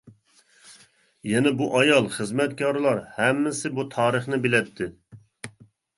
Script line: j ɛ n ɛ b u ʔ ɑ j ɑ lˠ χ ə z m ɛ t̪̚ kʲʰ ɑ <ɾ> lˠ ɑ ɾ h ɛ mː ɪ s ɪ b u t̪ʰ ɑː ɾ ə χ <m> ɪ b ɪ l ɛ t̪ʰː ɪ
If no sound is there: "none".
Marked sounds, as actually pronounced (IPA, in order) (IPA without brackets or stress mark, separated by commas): ɾ, n